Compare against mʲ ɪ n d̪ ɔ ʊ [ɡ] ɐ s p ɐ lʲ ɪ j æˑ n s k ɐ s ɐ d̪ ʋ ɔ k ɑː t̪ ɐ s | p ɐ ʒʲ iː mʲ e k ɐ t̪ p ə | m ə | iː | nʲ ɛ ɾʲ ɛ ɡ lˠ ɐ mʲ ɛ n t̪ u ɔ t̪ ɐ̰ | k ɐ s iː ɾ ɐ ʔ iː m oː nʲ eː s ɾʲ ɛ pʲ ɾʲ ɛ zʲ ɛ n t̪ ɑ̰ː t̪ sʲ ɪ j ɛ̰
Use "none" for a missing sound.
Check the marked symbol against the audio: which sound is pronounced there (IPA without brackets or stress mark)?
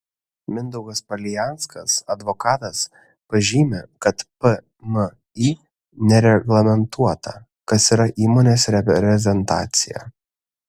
ɡ